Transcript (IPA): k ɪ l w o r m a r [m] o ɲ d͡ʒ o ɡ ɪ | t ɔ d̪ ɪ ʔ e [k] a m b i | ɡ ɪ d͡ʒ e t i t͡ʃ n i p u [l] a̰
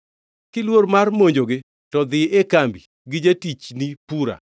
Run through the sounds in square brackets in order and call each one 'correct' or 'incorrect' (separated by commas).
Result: correct, correct, incorrect